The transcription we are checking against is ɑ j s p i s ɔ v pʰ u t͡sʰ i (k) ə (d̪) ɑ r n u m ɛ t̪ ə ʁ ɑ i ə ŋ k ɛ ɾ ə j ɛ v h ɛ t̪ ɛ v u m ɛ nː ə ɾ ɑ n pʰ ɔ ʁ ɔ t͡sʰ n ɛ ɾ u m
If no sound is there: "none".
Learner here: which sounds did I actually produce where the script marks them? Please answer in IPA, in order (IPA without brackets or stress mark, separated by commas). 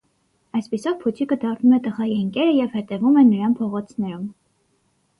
k, d̪